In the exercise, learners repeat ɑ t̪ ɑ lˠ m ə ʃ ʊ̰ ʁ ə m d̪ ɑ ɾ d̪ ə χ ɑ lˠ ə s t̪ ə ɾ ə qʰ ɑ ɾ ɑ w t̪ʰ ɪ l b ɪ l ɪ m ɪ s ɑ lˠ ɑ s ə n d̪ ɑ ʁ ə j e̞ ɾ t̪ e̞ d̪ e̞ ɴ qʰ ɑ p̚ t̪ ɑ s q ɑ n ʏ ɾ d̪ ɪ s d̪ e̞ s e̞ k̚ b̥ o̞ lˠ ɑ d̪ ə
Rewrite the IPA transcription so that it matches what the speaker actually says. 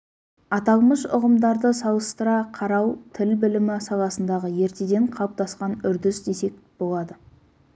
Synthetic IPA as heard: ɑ t̪ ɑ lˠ m ə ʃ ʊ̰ ʁ ə m d̪ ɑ ɾ d̪ ə s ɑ lˠ ə s t̪ ə ɾ ɑ qʰ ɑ ɾ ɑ w t̪ʰ ɪ l b ɪ l ɪ m ɪ s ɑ lˠ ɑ s ə n d̪ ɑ ʁ ə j e̞ ɾ t̪ e̞ d̪ e̞ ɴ qʰ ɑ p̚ t̪ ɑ s q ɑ n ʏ ɾ d̪ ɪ s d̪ e̞ s e̞ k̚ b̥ o̞ lˠ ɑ d̪ ə